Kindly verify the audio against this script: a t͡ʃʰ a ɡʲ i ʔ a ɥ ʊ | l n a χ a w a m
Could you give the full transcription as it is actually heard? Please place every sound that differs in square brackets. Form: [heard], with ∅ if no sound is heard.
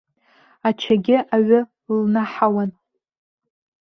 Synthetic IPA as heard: a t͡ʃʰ a ɡʲ [ɪ] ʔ a ɥ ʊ | l n a [ħ] a w a [n]